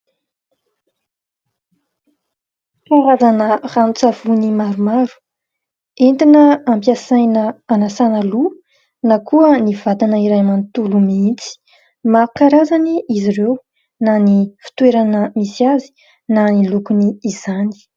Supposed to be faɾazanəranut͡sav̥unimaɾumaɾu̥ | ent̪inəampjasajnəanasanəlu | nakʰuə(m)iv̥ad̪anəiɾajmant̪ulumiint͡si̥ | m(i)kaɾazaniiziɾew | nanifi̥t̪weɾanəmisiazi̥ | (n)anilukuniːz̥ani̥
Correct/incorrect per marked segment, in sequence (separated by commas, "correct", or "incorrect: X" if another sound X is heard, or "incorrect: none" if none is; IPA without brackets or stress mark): incorrect: n, incorrect: a, correct